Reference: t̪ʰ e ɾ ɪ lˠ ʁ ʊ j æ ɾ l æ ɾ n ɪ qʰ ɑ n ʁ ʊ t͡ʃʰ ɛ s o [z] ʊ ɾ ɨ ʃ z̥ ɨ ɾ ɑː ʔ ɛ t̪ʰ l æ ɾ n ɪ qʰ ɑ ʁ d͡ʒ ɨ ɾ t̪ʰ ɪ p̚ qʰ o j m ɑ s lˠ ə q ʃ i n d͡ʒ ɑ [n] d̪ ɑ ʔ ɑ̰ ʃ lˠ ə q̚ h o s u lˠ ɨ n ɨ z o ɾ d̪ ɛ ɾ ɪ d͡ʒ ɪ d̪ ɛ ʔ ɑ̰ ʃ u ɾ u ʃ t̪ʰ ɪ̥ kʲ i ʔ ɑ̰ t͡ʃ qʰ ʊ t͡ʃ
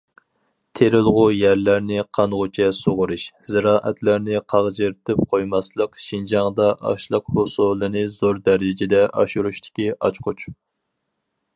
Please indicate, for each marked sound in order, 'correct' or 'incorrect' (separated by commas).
incorrect, incorrect